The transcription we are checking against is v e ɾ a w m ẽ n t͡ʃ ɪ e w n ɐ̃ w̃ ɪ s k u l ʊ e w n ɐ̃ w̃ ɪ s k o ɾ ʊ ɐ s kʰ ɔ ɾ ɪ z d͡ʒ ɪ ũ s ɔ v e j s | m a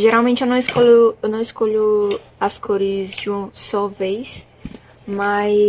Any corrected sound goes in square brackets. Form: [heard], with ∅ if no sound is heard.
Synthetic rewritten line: [ʒ] e ɾ a w m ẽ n t͡ʃ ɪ e w n ɐ̃ w̃ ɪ s k [o] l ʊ e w n ɐ̃ w̃ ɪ s k o [ʎ] ʊ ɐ s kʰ [o] ɾ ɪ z d͡ʒ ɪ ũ s ɔ v e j s | m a